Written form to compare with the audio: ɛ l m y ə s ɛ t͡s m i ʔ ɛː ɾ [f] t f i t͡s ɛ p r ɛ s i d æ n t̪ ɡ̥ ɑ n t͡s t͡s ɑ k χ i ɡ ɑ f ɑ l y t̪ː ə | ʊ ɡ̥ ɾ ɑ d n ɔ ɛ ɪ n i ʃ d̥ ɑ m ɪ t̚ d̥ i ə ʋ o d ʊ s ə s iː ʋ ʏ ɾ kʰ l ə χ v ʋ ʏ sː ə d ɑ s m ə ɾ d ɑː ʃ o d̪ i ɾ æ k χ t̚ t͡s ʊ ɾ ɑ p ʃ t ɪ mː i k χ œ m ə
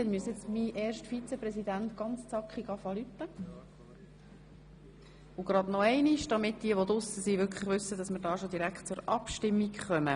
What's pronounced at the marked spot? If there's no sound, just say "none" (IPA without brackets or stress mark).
ʃ